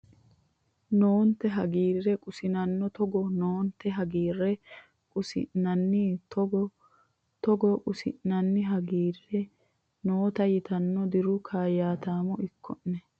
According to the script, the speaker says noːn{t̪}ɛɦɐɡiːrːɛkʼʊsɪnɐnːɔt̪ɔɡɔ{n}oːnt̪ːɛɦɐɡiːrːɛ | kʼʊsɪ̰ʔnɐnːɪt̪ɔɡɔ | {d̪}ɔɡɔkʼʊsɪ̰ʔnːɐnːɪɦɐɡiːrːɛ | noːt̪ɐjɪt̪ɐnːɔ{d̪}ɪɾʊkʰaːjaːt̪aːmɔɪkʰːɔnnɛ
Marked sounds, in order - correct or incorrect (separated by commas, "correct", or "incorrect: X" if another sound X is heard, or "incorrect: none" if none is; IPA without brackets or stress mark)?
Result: correct, correct, incorrect: t̪, correct